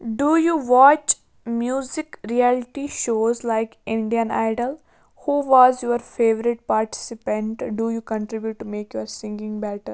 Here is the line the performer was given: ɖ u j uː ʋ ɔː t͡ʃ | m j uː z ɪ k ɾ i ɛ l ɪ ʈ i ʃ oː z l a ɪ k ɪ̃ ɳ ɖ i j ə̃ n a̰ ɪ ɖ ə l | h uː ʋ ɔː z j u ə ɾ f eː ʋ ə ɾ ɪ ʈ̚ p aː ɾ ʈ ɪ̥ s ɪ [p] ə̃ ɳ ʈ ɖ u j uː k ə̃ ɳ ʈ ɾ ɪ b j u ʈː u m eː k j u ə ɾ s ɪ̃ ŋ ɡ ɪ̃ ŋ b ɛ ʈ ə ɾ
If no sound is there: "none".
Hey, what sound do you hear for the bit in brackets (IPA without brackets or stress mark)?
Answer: p